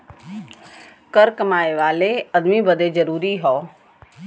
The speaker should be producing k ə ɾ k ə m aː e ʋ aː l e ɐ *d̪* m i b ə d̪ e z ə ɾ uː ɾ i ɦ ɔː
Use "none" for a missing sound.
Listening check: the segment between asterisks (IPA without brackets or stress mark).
d̪